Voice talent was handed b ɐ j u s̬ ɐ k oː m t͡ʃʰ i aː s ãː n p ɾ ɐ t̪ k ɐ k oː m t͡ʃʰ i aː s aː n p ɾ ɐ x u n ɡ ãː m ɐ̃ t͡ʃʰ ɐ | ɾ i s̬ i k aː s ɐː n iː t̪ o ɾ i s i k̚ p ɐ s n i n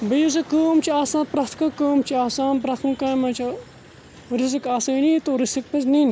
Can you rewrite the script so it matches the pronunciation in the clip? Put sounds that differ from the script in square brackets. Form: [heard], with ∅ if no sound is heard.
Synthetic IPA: b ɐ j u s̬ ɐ k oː m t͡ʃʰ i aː s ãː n p ɾ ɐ t̪ k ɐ k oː m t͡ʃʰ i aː s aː n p ɾ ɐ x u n [k] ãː m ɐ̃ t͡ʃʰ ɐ | ɾ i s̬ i k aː s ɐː n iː t̪ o ɾ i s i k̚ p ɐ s n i n